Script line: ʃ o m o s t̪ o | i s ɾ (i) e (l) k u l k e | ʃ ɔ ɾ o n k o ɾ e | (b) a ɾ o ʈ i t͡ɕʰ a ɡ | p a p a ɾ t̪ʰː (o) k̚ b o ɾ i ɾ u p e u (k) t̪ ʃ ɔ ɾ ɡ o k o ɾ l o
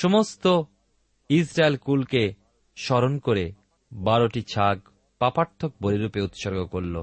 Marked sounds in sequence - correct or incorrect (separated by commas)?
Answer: incorrect, correct, correct, correct, incorrect